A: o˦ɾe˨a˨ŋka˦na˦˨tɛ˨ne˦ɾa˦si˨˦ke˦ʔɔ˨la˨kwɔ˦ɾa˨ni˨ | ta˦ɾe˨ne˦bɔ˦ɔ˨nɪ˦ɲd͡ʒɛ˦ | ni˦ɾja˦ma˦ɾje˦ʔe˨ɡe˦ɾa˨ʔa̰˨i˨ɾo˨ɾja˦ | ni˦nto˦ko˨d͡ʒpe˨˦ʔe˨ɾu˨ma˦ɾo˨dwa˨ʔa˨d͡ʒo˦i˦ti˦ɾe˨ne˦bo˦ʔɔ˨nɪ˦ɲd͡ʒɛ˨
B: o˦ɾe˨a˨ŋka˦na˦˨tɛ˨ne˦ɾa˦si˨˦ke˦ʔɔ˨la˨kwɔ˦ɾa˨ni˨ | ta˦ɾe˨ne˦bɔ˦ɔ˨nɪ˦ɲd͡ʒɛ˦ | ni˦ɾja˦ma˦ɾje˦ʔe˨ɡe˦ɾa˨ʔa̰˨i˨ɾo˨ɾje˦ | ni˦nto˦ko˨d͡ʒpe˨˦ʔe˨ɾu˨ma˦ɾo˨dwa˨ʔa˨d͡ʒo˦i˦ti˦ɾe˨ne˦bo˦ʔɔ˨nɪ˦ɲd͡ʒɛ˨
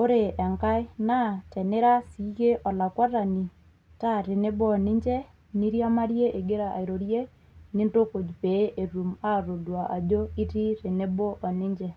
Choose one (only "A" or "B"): B